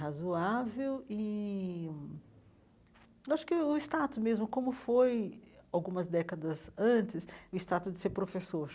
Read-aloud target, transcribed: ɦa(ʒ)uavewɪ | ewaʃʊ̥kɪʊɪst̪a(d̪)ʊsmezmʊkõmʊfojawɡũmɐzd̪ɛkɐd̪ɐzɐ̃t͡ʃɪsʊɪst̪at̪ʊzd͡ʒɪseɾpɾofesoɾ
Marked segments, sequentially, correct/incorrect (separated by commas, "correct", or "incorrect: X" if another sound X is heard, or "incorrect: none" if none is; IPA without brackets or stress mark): incorrect: z, incorrect: t̪